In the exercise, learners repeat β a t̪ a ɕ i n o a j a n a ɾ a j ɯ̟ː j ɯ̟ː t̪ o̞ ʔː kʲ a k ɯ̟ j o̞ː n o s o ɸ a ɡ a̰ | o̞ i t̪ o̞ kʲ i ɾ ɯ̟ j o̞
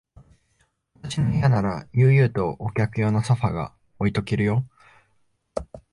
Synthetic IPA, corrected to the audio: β a t̪ a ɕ i n o i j a n a ɾ a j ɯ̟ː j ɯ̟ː t̪ o̞ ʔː kʲ a k ɯ̟ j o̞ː n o s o ɸ a ɡ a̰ | o̞ i t̪ o̞ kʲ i ɾ ɯ̟ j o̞